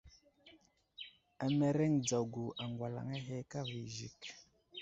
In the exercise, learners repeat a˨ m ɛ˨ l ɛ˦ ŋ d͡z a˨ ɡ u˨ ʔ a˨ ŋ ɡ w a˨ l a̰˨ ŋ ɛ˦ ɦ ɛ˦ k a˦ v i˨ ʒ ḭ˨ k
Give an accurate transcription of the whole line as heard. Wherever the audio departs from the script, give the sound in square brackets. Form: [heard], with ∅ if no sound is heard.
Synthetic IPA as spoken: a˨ m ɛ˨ [ɾ] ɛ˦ ŋ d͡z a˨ ɡ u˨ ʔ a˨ ŋ ɡ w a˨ l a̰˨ ŋ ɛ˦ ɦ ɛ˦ k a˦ v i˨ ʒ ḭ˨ k